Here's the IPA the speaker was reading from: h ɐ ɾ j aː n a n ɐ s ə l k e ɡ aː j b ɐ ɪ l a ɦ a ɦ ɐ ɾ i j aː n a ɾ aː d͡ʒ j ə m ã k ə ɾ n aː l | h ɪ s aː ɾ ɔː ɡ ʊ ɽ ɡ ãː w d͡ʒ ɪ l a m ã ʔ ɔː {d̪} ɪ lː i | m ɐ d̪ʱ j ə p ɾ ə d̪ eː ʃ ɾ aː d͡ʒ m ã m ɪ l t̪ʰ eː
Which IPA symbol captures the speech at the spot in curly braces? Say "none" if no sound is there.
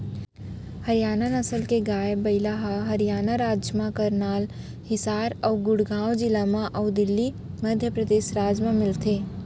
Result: d̪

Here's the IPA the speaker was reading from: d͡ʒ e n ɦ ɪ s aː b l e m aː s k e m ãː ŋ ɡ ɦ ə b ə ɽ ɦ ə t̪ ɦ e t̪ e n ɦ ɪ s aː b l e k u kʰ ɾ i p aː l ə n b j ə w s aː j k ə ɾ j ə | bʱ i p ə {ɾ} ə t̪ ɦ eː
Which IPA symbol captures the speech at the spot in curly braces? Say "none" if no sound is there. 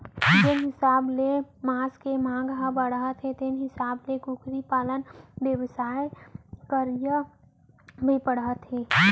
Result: ɽ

